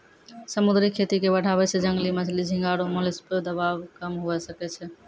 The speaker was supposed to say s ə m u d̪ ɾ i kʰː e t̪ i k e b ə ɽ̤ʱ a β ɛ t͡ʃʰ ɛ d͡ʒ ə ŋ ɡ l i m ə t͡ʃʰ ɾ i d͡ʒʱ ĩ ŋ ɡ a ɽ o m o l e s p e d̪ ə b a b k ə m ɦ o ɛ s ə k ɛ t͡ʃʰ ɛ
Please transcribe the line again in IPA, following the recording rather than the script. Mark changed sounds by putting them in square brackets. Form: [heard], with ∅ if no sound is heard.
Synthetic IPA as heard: s ə m u d̪ ɾ i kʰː e t̪ i k e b ə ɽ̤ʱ a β ɛ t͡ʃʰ ɛ d͡ʒ ə ŋ ɡ l i m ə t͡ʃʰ [l] i d͡ʒʱ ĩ ŋ ɡ a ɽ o m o l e s p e d̪ ə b a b k ə m ɦ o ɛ s ə k ɛ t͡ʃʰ ɛ